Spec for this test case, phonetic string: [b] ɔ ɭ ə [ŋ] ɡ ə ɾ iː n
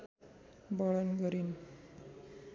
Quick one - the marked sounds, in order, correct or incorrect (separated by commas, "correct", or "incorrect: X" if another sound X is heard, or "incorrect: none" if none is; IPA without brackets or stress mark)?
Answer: correct, incorrect: n